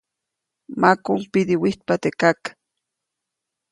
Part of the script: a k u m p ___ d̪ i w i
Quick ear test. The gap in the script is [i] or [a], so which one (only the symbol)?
i